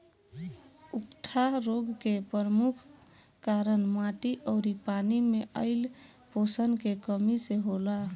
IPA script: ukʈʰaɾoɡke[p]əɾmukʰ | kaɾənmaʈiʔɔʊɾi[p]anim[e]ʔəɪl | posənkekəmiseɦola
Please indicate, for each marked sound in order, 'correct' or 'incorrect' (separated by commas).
correct, correct, correct